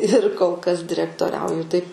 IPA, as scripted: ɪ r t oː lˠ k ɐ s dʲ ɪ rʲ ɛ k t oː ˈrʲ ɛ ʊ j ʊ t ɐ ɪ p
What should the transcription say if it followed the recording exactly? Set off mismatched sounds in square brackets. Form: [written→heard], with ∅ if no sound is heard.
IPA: ɪ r [t→k] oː lˠ k ɐ s dʲ ɪ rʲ ɛ k t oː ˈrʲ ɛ ʊ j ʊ t ɐ ɪ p